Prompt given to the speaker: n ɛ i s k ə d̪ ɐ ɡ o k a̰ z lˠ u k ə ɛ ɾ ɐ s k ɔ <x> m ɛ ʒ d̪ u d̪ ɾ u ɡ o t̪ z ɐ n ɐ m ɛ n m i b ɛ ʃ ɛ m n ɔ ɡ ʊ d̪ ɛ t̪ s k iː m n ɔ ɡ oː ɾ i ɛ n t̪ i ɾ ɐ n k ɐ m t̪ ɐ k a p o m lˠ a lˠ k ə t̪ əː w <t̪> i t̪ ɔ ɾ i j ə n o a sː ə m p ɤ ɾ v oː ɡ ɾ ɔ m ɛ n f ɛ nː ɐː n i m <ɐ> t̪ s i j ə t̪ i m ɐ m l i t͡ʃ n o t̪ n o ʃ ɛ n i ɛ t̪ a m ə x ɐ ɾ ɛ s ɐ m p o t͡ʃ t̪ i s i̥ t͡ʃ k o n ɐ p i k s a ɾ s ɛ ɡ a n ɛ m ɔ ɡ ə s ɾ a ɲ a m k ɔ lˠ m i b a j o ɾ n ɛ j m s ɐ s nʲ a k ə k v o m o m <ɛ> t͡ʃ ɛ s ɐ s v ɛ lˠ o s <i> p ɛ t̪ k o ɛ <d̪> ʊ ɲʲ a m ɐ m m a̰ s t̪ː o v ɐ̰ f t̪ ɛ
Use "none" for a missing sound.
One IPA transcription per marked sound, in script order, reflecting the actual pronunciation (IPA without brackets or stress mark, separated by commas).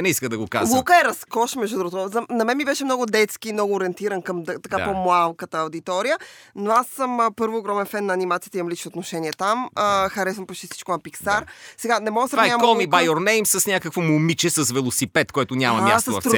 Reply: ʃ, d̪, a, i, i, t̪